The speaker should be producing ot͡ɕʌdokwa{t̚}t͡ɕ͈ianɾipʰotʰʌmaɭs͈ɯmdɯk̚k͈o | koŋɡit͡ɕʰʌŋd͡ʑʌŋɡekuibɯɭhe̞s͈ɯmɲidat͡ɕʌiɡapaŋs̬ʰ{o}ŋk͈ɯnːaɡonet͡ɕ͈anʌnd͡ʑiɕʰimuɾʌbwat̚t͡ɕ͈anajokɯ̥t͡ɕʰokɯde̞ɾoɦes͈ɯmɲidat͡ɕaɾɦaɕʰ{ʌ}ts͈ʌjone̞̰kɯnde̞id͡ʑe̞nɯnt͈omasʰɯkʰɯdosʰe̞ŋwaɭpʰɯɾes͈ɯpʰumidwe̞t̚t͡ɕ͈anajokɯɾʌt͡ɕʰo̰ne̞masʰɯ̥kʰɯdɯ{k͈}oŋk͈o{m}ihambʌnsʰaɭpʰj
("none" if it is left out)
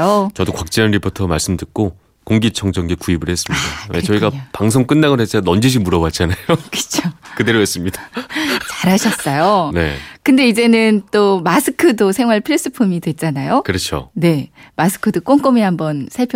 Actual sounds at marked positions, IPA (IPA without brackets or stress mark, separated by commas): k̚, o, ʌ, k͈, m